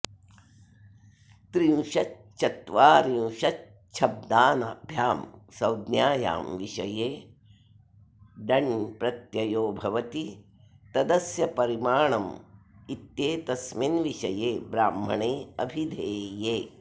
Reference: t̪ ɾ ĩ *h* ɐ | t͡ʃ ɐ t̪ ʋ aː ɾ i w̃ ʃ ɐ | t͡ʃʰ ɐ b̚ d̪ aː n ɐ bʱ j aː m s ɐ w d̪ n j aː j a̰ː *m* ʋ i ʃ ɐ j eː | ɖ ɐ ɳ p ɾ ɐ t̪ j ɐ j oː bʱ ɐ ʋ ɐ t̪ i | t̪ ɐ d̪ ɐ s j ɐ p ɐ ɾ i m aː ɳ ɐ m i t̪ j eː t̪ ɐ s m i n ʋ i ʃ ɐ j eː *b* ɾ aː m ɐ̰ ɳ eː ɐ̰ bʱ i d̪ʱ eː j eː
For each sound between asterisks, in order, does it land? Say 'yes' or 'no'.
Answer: no, yes, yes

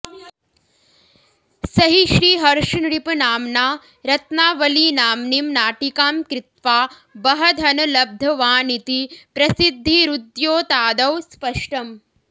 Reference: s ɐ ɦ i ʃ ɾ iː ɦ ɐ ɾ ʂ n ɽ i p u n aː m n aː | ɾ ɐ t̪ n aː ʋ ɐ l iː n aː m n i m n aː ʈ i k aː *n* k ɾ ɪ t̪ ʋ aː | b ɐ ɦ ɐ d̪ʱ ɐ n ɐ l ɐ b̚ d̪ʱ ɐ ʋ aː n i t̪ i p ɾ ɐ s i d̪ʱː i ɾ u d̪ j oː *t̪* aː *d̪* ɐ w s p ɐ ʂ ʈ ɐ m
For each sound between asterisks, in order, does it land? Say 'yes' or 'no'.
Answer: no, yes, yes

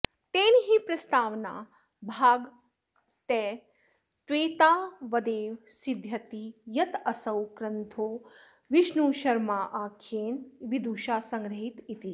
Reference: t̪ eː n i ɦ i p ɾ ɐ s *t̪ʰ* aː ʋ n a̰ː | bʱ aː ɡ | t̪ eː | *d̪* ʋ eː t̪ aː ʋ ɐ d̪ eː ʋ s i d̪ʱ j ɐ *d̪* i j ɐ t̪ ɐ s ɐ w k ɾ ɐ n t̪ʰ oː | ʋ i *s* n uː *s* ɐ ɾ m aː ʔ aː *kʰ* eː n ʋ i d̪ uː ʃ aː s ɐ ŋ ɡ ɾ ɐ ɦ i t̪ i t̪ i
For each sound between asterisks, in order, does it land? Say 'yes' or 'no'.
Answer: no, no, no, no, no, yes

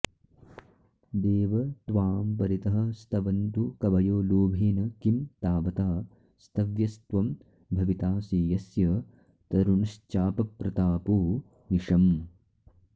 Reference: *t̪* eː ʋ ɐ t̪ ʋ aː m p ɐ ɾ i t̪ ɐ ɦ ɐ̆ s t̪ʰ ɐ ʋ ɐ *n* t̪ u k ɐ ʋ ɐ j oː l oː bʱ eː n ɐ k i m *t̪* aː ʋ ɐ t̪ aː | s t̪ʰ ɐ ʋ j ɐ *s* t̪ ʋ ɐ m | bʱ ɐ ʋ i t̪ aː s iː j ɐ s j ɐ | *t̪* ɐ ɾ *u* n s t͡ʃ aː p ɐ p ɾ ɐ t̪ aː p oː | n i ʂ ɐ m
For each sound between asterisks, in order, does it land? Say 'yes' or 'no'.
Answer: no, yes, yes, yes, yes, yes

